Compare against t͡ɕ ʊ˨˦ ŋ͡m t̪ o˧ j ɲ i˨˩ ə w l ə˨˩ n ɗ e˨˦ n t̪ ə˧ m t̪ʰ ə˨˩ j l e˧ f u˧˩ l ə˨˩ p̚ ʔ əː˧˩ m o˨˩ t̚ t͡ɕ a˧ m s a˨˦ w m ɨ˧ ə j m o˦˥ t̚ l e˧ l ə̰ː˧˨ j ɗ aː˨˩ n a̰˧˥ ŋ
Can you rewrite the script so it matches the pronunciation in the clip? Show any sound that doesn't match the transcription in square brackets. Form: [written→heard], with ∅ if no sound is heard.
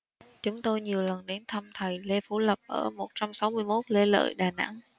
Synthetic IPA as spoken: t͡ɕ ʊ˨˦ ŋ͡m t̪ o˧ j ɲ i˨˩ ə w l ə˨˩ n ɗ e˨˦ n [t̪→t̪ʰ] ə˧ m t̪ʰ ə˨˩ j l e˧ f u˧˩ l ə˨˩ p̚ ʔ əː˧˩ m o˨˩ t̚ t͡ɕ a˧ m s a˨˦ w m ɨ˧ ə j m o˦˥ t̚ l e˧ l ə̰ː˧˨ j ɗ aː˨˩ n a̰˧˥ ŋ